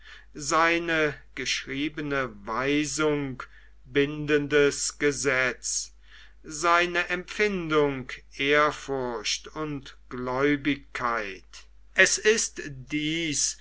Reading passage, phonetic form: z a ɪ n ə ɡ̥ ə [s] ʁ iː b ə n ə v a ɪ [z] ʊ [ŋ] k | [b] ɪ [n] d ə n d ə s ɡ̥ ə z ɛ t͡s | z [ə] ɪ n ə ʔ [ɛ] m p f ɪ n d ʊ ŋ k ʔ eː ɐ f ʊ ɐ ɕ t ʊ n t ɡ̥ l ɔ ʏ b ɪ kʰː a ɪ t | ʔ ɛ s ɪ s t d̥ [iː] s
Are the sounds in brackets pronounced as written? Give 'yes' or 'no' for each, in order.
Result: no, yes, yes, yes, yes, no, yes, yes

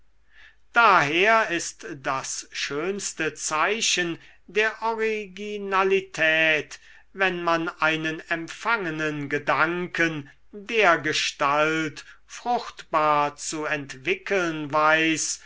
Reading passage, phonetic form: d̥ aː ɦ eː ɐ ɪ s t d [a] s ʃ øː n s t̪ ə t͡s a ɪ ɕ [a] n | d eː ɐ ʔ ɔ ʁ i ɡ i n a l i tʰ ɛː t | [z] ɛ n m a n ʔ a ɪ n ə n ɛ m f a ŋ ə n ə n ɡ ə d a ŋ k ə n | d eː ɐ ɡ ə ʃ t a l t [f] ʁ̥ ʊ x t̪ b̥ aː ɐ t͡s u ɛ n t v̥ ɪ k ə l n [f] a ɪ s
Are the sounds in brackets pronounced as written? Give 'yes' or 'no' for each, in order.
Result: yes, no, no, yes, no

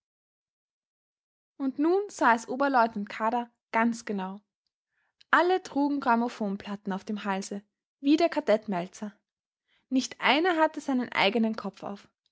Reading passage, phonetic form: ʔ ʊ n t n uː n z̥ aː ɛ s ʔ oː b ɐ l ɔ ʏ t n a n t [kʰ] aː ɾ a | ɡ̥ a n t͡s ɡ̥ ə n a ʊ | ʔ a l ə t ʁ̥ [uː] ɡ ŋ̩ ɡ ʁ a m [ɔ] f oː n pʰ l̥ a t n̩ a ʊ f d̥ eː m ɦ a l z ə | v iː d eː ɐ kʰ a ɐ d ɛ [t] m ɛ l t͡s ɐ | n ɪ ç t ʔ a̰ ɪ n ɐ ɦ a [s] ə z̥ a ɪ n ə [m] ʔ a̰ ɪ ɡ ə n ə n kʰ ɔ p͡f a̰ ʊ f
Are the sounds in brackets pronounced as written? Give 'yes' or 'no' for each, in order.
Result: yes, yes, no, yes, no, no

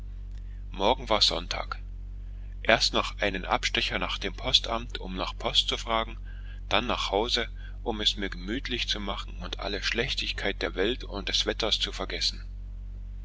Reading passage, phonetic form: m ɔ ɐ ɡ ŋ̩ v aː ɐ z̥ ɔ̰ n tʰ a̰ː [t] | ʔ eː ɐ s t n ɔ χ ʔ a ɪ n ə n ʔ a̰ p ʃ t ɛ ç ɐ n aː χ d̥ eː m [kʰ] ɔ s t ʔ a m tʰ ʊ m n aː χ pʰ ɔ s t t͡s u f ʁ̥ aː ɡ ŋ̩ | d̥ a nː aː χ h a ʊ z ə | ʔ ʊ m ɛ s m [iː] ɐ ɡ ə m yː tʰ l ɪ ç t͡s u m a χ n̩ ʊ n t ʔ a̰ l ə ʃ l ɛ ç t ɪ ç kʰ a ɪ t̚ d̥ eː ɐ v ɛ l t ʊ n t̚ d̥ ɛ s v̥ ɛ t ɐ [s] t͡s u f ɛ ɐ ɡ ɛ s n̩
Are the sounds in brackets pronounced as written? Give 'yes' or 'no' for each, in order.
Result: no, no, yes, yes

